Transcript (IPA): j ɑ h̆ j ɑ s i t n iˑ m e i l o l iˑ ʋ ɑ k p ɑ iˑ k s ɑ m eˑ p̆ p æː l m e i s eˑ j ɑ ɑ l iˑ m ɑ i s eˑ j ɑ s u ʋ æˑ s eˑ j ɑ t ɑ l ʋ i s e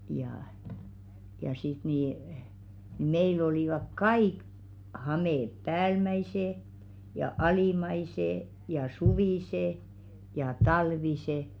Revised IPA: j ɑ h̆ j ɑ s i t n iˑ m e i l o l iˑ ʋ ɑ k k ɑ iˑ k h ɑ m eˑ p̆ p æː l m æ i s eˑ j ɑ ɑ l iˑ m ɑ i s eˑ j ɑ s u ʋ iˑ s eˑ j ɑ t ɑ l ʋ i s e